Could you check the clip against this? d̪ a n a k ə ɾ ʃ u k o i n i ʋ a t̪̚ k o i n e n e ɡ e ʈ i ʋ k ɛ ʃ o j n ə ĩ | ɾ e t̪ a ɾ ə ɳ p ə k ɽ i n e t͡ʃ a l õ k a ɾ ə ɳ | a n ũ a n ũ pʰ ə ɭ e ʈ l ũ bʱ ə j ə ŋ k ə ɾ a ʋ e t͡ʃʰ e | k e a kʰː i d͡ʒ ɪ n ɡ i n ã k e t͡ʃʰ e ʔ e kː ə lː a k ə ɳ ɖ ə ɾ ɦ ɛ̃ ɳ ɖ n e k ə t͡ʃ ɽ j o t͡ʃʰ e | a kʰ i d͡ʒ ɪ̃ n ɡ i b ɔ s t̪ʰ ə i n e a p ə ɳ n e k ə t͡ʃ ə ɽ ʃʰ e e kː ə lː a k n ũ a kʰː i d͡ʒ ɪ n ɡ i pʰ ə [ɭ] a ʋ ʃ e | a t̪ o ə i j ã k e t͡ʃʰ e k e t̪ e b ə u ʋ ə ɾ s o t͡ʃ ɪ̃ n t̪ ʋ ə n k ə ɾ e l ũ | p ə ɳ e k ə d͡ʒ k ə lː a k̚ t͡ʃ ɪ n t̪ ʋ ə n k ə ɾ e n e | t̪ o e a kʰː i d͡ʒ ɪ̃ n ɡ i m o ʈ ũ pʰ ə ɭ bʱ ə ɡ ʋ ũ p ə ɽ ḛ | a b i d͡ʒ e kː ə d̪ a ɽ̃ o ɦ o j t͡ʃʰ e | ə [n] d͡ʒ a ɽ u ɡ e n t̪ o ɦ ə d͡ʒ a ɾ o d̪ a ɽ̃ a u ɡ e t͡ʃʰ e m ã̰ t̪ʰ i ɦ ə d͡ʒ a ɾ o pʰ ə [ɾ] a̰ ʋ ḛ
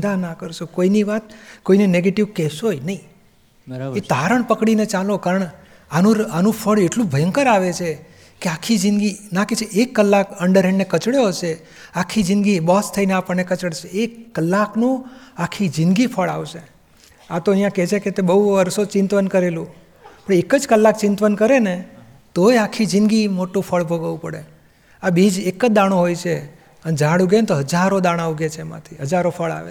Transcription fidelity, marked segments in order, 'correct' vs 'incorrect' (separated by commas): correct, correct, incorrect